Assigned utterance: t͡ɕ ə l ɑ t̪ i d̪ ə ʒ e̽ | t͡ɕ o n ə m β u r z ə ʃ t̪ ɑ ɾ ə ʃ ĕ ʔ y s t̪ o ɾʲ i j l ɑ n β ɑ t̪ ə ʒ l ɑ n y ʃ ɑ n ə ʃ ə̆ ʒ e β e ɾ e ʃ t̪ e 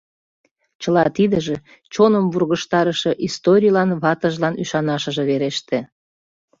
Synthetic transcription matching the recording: t͡ɕ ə l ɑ t̪ i d̪ ə ʒ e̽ | t͡ɕ o n ə m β u r ɣ ə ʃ t̪ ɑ ɾ ə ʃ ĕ ʔ i s t̪ o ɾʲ i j l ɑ n β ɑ t̪ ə ʒ l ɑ n y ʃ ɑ n ɑ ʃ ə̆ ʒ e β e ɾ e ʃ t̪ e